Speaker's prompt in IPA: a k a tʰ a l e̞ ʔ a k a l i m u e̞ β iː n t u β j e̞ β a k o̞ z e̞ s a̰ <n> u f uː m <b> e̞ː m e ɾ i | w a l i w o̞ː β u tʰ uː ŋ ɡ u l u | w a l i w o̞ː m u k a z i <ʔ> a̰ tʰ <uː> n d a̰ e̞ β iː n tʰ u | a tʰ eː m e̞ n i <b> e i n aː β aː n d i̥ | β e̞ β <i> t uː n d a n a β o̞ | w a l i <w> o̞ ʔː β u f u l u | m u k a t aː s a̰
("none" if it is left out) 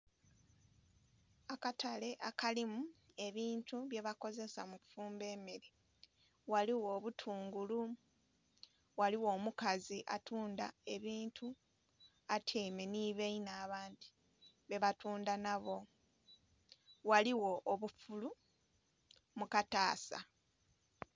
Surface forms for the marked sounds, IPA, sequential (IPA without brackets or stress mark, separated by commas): m, b, ʔ, uː, β, a, w